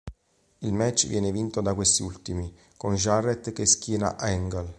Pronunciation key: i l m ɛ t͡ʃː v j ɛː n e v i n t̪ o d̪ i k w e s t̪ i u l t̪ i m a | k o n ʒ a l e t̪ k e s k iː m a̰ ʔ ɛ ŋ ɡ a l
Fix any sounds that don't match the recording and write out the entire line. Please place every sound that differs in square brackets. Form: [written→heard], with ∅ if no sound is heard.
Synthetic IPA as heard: i l m ɛ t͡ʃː v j ɛː n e v i n t̪ o d̪ [i→a] k w e s t̪ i u l t̪ i m [a→i] | k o n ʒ a [l→r] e t̪ k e s k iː [m→n] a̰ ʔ ɛ ŋ ɡ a l